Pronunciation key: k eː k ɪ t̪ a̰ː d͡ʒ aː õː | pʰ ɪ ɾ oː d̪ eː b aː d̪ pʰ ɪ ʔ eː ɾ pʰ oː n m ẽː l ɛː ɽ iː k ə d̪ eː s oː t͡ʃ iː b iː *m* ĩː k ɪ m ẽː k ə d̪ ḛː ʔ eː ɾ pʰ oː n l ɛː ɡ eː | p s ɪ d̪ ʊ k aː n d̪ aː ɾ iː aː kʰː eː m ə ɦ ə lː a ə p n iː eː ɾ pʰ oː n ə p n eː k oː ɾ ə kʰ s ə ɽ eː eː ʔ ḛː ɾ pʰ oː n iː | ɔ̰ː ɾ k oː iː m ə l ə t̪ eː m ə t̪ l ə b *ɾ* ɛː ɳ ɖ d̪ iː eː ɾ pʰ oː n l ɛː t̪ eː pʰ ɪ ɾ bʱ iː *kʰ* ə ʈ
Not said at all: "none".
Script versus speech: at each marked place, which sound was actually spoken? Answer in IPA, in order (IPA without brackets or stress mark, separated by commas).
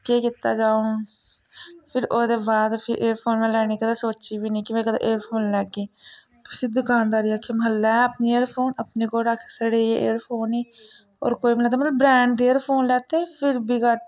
n, ɾ, k